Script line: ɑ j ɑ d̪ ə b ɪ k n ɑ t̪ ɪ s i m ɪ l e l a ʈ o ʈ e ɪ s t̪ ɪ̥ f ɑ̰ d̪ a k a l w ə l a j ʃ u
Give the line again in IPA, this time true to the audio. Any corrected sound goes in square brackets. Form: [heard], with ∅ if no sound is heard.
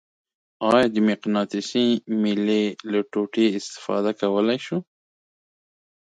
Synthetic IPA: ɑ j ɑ d̪ ə [m] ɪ [q] n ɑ t̪ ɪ s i m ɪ l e l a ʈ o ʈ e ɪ s t̪ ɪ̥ f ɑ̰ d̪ a k a [∅] w ə l a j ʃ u

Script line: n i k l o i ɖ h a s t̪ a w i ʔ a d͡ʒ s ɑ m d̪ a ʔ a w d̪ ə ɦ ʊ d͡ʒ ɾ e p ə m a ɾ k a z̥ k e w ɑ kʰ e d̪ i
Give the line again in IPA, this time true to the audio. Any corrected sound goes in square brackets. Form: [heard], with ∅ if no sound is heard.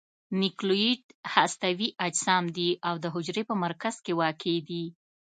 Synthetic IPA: n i k l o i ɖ h a s t̪ a w i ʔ a d͡ʒ s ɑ m d̪ [i] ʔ a w d̪ ə ɦ ʊ d͡ʒ ɾ e p ə m a ɾ k a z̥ k e w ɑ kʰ e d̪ i

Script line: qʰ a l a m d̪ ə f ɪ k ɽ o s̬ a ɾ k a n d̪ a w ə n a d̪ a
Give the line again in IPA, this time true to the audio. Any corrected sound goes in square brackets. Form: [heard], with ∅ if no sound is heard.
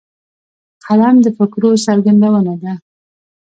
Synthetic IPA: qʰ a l a m d̪ ə f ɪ k [ɾ] o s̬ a ɾ [ɡ] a n d̪ a w ə n a d̪ a

